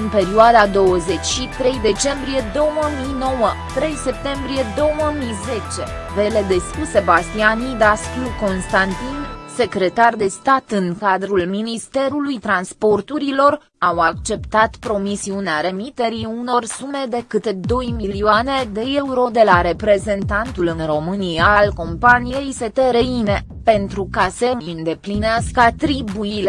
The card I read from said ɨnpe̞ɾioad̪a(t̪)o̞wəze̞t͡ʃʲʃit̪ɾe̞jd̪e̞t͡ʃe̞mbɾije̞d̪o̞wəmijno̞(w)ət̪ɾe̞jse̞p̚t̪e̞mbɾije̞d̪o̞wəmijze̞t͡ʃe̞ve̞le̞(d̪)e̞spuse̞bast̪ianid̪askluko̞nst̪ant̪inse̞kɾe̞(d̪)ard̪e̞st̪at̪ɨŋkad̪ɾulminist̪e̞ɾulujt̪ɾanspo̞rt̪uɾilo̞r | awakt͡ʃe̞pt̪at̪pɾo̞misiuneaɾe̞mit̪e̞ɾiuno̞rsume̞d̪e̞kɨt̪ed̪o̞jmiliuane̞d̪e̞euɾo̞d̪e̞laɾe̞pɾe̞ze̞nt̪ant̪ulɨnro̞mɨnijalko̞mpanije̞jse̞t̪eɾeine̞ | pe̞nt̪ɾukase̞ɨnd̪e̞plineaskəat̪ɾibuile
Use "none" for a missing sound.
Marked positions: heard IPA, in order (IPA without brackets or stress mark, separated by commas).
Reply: d̪, w, d̪, t̪